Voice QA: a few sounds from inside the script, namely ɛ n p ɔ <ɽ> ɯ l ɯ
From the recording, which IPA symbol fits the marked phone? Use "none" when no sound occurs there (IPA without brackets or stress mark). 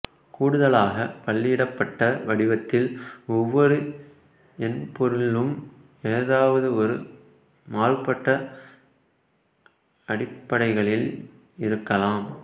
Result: ɾ